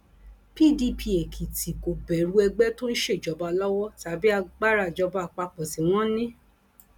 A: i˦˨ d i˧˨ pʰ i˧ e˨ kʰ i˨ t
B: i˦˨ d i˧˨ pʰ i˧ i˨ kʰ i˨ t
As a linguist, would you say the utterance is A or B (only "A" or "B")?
A